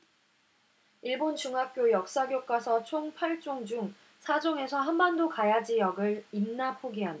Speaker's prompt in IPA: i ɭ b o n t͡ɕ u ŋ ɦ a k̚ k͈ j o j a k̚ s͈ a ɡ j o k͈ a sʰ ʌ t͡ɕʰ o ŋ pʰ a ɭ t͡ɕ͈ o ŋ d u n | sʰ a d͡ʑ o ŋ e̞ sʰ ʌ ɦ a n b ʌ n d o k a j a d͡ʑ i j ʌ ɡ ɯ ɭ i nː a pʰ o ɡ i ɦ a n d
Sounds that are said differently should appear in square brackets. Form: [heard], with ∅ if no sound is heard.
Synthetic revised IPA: i ɭ b o n t͡ɕ u ŋ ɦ a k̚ k͈ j o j [ʌ] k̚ s͈ a ɡ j o k͈ a sʰ ʌ t͡ɕʰ o ŋ pʰ a ɭ t͡ɕ͈ o ŋ [d͡ʑ] u [ŋ] | sʰ a d͡ʑ o ŋ e̞ sʰ ʌ ɦ a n b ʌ n d o k a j a d͡ʑ i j ʌ ɡ ɯ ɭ i nː a pʰ o ɡ i ɦ a n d